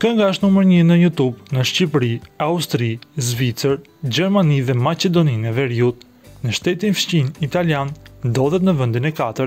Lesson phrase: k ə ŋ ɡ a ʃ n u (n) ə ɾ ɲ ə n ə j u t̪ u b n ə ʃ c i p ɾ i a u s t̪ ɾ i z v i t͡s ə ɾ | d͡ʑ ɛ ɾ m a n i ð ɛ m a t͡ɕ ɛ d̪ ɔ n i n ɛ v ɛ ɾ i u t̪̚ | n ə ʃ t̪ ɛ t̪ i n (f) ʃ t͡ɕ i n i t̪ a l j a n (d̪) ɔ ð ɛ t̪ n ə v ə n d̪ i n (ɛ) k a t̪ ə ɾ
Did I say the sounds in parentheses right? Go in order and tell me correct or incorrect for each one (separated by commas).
incorrect, correct, correct, correct